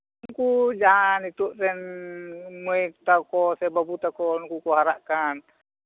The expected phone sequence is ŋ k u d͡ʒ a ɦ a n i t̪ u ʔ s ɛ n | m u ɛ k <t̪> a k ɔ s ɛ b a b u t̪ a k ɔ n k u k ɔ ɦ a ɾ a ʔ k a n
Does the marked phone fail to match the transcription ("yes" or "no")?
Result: no